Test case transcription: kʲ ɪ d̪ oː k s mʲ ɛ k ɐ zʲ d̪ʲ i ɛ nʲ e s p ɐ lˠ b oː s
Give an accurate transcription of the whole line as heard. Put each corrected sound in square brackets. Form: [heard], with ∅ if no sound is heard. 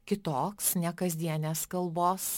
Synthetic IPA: kʲ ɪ [t̪] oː k s [nʲ] ɛ k ɐ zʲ d̪ʲ i ɛ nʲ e s [k] ɐ lˠ b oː s

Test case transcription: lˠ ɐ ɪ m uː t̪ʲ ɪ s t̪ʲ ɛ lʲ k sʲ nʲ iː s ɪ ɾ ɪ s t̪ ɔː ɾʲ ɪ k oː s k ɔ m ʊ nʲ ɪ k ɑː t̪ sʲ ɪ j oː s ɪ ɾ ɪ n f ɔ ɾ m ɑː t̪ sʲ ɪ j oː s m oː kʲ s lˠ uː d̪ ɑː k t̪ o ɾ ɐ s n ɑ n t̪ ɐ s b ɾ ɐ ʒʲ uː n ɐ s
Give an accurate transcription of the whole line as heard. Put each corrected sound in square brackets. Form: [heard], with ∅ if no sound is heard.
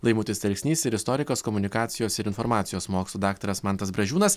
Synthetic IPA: lˠ ɐ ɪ m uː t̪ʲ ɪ s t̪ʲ ɛ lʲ k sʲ nʲ iː s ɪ ɾ ɪ s t̪ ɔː ɾʲ ɪ k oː s k ɔ m ʊ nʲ ɪ k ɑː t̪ sʲ ɪ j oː s ɪ ɾ ɪ n f ɔ ɾ m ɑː t̪ sʲ ɪ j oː s m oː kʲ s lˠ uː d̪ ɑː k t̪ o ɾ ɐ s [m] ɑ n t̪ ɐ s b ɾ ɐ ʒʲ uː n ɐ s

